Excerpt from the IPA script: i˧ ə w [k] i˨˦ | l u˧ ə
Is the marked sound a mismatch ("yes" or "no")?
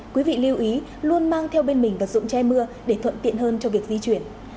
yes